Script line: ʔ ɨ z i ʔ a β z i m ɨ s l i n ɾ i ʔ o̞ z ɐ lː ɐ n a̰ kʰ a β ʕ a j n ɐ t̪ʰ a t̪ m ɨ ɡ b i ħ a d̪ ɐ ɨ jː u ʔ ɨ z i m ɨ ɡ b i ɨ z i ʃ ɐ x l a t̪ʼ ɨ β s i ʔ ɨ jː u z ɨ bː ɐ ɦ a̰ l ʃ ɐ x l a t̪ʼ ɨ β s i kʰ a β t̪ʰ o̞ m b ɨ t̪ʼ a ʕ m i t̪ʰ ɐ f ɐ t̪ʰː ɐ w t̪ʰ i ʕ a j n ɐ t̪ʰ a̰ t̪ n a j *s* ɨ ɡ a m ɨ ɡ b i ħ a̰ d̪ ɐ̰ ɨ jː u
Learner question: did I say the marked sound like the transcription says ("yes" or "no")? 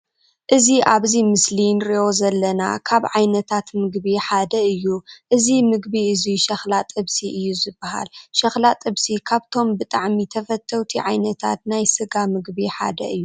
yes